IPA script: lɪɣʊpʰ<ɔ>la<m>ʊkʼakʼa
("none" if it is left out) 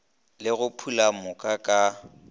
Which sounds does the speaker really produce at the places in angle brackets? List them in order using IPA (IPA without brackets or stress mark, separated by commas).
u, m